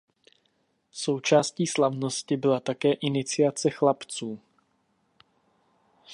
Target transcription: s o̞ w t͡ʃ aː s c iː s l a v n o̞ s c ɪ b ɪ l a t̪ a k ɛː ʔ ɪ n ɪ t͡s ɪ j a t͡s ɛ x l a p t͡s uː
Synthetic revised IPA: s o̞ w t͡ʃ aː s c iː s l a v n o̞ s c ɪ b ɪ l a t̪ a k ɛː ʔ ɪ n ɪ t͡s ɪ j a t͡s ɛ x l a p t͡s uː